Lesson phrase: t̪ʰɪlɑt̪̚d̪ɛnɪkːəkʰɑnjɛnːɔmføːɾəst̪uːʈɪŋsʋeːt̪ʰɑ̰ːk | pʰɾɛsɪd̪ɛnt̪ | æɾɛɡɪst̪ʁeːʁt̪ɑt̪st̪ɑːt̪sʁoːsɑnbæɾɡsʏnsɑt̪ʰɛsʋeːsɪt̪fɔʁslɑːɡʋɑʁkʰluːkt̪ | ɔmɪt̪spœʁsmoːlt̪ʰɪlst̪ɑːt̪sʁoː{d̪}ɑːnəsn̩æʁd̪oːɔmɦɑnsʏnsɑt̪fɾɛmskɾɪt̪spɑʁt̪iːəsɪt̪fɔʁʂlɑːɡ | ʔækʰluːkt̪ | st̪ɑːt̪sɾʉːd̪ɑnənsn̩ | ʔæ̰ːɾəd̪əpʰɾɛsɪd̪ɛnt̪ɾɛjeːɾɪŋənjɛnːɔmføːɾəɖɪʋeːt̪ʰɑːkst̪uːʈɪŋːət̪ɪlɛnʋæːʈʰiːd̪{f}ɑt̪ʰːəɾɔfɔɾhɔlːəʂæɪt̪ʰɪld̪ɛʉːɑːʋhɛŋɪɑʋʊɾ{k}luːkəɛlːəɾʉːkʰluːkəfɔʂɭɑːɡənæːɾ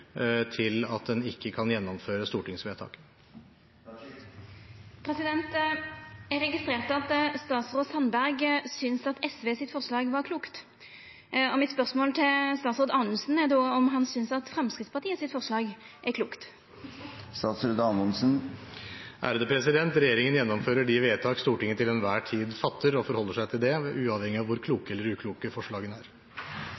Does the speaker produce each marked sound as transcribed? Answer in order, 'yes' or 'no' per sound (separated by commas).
yes, yes, no